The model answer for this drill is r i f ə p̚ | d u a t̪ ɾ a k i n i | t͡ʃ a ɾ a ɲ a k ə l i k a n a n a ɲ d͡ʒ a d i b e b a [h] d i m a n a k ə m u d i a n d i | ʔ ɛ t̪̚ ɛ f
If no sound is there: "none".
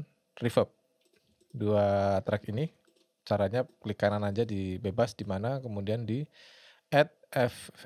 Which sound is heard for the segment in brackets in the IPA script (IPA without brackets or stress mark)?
s